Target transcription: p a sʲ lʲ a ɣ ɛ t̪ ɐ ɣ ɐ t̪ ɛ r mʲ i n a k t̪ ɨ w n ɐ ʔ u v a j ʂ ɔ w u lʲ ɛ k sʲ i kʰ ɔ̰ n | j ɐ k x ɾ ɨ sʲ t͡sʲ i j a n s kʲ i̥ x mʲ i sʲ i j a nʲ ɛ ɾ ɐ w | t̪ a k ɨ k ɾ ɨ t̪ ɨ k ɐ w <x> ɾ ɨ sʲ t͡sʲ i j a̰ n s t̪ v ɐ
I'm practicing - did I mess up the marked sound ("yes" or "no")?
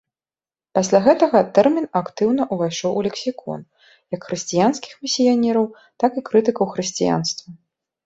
no